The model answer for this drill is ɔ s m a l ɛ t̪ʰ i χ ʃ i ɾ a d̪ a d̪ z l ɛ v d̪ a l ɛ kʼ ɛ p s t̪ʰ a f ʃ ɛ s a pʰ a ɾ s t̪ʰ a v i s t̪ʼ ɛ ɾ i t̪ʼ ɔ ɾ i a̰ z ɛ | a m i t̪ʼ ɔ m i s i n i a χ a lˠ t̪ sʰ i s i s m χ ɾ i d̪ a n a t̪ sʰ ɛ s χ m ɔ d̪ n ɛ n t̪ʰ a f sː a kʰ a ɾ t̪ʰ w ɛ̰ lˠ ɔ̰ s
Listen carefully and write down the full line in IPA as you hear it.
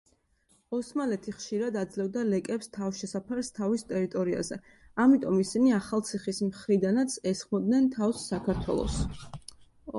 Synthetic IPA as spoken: ɔ s m a l ɛ t̪ʰ i χ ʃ i ɾ a d̪ a d̪ z l ɛ v d̪ a l ɛ kʼ ɛ p s t̪ʰ a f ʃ ɛ s a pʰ a ɾ s t̪ʰ a v i s t̪ʼ ɛ ɾ i t̪ʼ ɔ ɾ i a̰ z ɛ | a m i t̪ʼ ɔ m i s i n i a χ a lˠ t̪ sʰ i χ i s m χ ɾ i d̪ a n a t̪ sʰ ɛ s χ m ɔ d̪ n ɛ n t̪ʰ a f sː a kʰ a ɾ t̪ʰ w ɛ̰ lˠ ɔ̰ s